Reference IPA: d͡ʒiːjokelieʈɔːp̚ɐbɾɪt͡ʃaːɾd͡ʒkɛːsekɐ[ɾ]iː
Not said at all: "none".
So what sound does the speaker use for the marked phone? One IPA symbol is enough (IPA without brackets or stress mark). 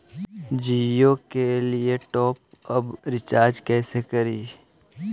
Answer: ɾ